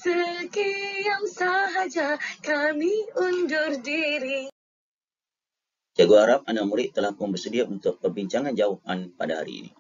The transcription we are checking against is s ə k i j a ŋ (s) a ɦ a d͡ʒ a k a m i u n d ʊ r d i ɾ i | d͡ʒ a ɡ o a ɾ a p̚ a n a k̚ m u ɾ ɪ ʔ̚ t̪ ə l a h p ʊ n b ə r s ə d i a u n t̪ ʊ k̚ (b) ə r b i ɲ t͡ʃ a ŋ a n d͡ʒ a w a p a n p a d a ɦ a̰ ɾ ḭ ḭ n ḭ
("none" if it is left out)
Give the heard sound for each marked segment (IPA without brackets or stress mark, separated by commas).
s, p